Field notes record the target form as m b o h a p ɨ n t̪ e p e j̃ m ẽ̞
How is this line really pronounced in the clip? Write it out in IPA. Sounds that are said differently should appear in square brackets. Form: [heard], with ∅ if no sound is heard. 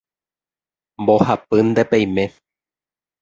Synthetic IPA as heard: m b o h a p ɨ n [d̪] e p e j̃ m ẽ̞